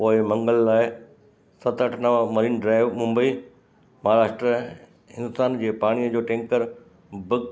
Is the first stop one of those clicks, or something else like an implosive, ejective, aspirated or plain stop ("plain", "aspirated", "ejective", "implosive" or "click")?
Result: plain